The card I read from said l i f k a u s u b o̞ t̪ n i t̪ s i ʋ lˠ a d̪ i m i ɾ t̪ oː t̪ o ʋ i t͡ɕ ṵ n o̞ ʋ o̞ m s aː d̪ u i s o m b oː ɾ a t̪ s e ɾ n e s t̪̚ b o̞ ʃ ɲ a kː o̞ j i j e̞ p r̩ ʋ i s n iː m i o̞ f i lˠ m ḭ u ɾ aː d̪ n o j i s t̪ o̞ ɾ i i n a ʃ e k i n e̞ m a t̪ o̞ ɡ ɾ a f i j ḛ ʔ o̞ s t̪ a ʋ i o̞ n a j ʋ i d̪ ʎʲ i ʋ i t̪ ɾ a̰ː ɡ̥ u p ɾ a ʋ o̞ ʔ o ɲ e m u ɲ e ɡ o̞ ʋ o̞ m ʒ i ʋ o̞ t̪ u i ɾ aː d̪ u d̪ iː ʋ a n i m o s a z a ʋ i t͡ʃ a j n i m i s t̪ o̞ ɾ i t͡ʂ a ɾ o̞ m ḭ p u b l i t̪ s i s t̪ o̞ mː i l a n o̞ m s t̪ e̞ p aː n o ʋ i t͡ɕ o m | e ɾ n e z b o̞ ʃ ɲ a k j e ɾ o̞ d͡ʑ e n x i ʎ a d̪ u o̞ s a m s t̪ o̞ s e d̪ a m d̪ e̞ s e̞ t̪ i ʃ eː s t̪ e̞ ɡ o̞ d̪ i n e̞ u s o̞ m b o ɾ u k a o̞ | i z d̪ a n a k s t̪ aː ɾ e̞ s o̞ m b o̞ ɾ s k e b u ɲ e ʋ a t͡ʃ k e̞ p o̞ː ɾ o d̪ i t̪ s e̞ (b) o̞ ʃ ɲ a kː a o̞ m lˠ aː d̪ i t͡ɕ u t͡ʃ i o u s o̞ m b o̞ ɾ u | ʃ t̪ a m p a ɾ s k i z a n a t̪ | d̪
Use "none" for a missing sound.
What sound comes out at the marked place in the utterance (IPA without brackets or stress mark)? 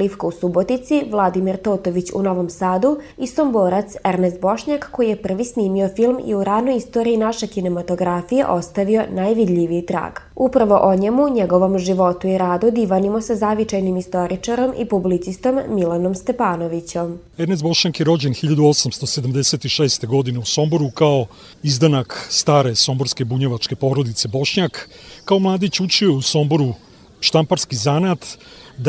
b